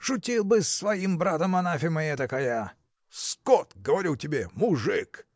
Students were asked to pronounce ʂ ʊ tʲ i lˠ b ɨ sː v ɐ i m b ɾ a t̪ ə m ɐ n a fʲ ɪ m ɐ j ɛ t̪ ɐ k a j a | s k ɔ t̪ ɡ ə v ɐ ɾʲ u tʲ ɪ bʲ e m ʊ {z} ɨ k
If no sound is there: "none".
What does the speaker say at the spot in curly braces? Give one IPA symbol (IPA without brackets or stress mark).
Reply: ʐ